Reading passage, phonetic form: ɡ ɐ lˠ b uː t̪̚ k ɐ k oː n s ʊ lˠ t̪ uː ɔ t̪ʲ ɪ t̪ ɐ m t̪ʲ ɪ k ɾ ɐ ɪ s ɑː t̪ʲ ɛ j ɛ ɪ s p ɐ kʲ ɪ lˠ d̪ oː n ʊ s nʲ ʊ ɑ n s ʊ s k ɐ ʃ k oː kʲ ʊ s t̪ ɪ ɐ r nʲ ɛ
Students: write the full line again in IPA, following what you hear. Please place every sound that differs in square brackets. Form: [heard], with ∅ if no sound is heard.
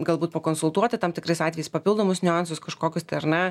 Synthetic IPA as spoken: ɡ ɐ lˠ b uː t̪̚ [p] ɐ k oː n s ʊ lˠ t̪ [u] ɔ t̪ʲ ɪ t̪ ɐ m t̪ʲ ɪ k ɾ ɐ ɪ s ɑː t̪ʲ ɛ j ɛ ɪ s p ɐ [pʲ] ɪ lˠ d̪ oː [m] ʊ s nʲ ʊ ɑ n s ʊ s k ɐ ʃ k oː kʲ ʊ s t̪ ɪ ɐ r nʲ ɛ